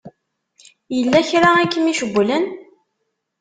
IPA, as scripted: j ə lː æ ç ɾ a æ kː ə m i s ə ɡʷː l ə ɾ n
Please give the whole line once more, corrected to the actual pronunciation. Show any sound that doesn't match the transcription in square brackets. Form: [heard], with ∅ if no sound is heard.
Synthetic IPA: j ə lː æ ç ɾ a æ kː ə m i [ʃ] ə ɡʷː l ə [∅] n